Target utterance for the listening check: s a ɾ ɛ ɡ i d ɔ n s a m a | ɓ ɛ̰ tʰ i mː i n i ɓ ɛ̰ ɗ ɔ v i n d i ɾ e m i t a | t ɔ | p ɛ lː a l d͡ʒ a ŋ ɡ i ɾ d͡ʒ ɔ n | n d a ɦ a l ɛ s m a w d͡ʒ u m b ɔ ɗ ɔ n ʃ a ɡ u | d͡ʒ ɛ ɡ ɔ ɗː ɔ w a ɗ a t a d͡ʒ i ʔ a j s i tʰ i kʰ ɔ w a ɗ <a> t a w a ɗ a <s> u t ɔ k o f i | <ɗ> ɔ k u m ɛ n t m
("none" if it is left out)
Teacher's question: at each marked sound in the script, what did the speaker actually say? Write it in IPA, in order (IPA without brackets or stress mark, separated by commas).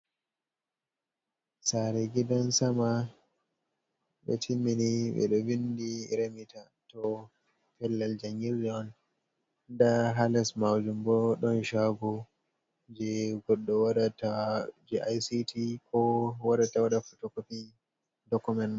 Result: a, f, d